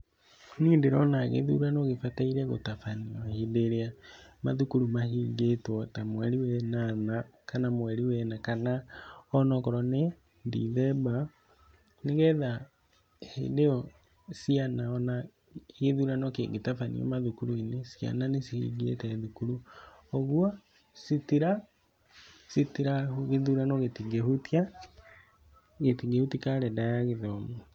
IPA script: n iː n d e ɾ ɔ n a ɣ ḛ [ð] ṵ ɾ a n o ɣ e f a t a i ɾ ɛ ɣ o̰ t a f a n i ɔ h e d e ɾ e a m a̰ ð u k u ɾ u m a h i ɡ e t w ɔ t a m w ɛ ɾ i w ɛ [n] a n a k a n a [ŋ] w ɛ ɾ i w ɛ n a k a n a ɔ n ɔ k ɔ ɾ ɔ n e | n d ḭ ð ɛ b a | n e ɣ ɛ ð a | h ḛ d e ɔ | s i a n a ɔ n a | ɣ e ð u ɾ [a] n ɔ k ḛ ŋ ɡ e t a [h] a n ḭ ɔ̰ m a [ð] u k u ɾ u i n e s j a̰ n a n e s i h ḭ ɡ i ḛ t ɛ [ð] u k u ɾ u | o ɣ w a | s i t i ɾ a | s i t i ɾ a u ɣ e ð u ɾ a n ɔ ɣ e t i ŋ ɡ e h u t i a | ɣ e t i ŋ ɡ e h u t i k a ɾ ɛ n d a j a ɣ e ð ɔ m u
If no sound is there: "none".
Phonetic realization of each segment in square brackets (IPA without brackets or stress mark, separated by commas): ð, n, m, a, f, ð, ð